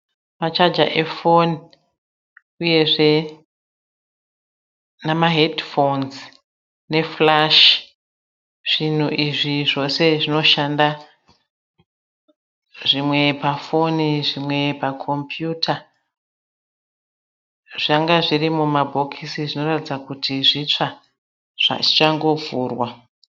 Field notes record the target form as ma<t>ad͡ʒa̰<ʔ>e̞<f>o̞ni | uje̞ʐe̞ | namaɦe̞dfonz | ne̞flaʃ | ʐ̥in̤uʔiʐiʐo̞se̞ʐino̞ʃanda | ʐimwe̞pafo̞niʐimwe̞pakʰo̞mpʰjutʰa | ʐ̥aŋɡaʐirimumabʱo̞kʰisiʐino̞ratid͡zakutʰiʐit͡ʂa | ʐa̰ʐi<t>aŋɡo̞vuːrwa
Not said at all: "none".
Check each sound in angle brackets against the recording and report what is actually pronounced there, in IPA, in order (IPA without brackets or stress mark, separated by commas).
t͡ʃ, ʔ, f, t͡ʃ